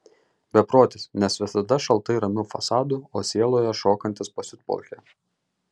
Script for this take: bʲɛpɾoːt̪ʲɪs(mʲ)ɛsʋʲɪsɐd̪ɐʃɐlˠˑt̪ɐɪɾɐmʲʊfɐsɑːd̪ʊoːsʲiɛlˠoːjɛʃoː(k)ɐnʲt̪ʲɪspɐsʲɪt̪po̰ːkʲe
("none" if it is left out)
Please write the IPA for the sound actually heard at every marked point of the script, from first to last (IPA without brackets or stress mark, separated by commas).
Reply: nʲ, k